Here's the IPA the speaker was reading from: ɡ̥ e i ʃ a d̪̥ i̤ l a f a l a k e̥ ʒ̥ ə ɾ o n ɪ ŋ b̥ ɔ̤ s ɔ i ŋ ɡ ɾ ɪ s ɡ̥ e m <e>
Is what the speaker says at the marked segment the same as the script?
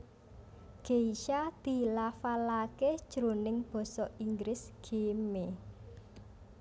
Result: yes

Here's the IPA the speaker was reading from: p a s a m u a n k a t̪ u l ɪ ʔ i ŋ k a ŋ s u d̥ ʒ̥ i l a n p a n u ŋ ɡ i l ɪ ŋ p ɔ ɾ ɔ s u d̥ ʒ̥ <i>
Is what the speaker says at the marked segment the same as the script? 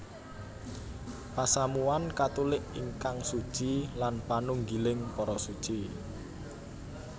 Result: yes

